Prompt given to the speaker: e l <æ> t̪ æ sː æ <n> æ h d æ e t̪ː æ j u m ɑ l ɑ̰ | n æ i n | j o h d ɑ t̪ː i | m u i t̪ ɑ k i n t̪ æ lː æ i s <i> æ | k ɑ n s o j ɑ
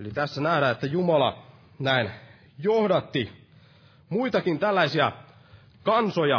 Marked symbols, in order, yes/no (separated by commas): no, yes, yes